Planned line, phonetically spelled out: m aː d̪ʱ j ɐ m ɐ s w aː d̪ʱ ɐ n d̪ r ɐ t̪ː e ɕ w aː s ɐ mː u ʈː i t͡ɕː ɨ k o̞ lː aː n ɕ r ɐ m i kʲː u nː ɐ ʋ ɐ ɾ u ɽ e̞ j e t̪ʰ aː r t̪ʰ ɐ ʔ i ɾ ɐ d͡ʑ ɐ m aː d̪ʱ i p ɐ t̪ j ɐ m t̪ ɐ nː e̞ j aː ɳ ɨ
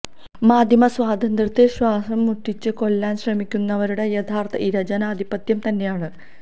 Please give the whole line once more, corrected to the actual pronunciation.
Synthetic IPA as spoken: m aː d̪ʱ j ɐ m ɐ s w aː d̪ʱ ɐ n d̪ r ɐ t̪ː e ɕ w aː s ɐ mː u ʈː i t͡ɕː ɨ k o̞ lː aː n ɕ r ɐ m i kʲː u nː ɐ ʋ ɐ ɾ u ɽ e̞ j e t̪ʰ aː r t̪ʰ ɐ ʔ i ɾ ɐ d͡ʑ ɐ n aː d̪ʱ i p ɐ t̪ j ɐ m t̪ ɐ nː e̞ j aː ɳ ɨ